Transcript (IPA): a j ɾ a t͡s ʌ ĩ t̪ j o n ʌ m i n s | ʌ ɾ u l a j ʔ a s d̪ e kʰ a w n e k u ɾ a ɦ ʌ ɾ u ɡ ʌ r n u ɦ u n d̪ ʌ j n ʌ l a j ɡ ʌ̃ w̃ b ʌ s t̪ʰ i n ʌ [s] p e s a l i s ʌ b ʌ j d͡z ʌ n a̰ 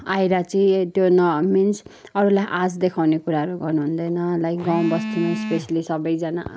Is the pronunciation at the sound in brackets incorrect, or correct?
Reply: correct